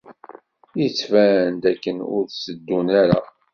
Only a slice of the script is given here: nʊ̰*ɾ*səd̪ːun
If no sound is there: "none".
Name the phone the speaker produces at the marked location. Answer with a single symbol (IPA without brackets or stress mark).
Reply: ɾ